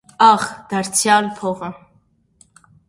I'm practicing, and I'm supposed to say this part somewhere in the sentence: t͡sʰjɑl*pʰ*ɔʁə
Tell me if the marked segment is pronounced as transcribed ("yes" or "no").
yes